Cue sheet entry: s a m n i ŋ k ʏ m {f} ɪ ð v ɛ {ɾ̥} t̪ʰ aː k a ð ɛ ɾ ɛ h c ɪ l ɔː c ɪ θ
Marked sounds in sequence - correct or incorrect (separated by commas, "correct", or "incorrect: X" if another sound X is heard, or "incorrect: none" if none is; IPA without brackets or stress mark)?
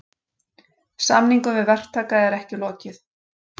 incorrect: v, incorrect: r̥